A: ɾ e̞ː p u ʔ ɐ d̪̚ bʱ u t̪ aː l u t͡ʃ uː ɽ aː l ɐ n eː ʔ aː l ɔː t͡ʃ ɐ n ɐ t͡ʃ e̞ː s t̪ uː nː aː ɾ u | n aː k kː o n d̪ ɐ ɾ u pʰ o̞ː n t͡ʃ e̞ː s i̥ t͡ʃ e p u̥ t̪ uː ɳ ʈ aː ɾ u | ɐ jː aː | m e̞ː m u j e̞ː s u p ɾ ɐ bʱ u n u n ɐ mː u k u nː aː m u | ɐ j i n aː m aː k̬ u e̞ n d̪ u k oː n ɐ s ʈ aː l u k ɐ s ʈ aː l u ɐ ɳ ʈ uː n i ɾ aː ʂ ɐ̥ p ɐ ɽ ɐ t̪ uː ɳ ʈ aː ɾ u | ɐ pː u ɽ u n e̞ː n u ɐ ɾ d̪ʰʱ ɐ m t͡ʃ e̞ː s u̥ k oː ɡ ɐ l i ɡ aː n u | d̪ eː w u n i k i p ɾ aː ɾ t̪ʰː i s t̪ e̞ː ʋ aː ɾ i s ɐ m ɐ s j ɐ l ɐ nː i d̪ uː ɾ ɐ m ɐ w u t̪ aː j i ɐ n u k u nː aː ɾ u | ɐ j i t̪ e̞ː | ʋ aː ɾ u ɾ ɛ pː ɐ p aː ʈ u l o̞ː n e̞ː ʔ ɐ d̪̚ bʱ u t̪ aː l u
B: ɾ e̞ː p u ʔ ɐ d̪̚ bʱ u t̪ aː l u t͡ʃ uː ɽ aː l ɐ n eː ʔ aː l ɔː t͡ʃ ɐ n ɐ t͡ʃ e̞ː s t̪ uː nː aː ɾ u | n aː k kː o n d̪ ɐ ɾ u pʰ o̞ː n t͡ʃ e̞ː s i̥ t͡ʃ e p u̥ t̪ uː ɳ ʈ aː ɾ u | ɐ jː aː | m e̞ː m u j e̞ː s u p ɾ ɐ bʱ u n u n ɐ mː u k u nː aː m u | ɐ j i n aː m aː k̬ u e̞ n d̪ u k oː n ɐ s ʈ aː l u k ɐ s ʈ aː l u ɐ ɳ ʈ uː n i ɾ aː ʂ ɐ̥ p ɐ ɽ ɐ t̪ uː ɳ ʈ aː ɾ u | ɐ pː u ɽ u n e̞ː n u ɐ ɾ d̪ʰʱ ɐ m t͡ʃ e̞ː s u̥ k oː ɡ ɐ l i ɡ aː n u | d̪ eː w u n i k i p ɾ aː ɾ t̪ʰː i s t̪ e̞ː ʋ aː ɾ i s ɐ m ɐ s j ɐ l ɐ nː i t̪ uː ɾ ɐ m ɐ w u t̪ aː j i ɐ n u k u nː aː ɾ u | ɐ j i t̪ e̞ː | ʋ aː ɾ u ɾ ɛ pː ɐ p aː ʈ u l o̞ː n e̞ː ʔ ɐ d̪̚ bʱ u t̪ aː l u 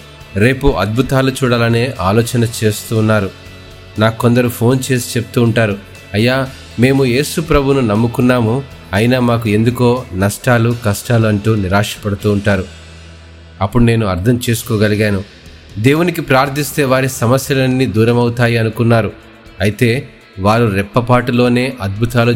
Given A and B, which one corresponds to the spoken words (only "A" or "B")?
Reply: A